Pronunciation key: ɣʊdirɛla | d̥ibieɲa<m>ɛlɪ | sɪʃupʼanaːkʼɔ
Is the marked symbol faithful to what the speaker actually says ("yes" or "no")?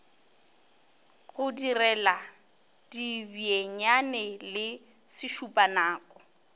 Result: no